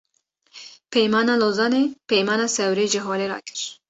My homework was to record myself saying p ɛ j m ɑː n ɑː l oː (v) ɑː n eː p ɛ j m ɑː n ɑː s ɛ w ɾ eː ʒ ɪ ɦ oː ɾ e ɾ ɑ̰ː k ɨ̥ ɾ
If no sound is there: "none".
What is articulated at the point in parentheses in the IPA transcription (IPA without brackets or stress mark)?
z